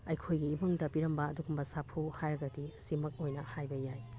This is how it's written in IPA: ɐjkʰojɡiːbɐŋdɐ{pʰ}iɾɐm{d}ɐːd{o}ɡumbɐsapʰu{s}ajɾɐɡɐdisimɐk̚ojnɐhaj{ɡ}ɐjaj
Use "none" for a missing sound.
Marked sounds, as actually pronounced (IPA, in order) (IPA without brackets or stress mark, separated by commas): p, b, u, h, b